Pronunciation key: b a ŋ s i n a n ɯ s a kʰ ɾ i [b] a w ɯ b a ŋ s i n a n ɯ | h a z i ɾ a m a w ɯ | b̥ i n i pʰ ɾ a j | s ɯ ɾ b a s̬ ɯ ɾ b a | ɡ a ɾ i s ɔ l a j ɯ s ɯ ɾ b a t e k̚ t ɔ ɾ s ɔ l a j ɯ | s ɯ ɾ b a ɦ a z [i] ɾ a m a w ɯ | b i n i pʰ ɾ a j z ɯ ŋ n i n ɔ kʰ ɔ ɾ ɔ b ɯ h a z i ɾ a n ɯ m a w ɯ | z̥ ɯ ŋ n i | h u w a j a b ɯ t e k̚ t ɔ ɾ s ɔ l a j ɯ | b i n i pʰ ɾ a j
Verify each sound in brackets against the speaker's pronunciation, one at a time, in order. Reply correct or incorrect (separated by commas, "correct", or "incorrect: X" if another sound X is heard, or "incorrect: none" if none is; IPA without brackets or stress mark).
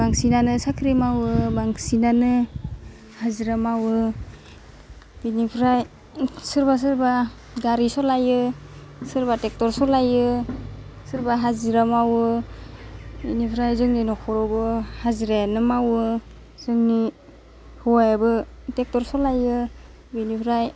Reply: incorrect: m, correct